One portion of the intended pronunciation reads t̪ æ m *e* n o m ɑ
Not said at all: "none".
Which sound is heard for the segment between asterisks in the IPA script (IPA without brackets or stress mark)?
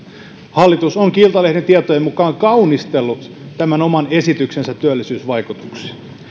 æ